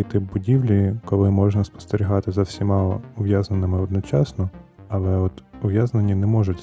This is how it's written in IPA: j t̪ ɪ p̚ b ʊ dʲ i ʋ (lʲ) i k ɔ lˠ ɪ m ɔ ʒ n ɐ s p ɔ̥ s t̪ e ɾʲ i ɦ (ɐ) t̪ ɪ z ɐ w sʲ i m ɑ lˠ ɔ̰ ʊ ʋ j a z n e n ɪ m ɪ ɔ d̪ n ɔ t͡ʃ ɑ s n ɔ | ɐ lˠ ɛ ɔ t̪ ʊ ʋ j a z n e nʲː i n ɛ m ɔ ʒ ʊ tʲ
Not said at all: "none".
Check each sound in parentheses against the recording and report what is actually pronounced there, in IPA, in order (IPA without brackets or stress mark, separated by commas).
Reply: lʲ, ɑ